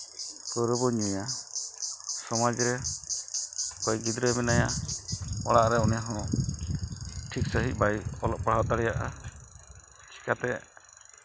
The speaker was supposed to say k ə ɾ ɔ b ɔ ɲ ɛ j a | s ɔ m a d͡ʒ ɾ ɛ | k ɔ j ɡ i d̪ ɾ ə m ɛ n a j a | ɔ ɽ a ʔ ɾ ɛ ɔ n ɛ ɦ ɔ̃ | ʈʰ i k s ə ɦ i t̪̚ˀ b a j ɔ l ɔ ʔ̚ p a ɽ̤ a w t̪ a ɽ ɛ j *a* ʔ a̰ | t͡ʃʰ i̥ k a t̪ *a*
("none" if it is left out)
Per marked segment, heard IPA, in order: a, ɛ

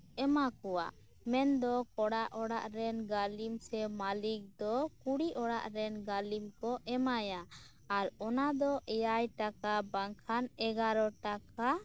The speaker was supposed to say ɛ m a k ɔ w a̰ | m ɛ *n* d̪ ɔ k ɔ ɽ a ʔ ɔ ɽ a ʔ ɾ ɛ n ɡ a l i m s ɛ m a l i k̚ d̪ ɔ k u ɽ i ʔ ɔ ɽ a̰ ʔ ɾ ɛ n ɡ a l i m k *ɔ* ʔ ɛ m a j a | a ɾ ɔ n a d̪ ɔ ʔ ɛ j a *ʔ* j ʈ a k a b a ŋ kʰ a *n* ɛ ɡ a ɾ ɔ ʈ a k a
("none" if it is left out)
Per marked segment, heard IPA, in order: n, ɔ, none, n

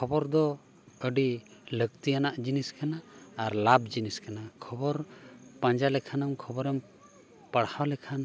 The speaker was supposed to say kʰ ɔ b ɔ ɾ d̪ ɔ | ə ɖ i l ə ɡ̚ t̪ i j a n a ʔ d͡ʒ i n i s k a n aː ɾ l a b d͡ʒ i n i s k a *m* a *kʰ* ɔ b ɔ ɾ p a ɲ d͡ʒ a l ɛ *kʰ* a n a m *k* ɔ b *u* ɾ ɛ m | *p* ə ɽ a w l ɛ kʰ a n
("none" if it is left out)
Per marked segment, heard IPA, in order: n, kʰ, kʰ, kʰ, ɔ, p

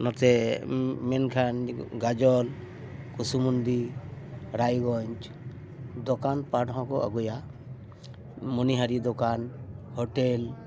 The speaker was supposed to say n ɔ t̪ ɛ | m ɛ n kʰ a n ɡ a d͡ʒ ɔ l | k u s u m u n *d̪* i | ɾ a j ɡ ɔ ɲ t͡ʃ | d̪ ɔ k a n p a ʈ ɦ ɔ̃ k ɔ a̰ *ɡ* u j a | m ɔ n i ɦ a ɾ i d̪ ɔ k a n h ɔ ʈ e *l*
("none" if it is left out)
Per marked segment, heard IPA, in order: d̪, ɡ, l

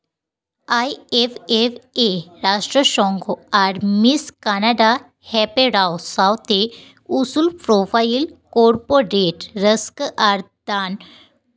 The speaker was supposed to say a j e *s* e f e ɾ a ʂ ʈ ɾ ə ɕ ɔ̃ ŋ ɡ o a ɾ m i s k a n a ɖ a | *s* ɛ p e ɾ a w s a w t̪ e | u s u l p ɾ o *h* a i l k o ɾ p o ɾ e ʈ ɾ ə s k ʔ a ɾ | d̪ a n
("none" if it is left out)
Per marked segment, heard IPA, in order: f, h, f

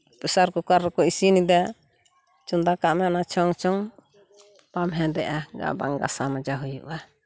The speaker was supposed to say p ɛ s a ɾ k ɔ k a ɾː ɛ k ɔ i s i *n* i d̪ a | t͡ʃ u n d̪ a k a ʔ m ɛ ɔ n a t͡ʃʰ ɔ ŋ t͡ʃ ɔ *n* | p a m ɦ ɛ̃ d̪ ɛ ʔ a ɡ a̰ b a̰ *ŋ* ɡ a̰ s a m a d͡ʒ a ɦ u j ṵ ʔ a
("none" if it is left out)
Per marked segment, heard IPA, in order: n, ŋ, ŋ

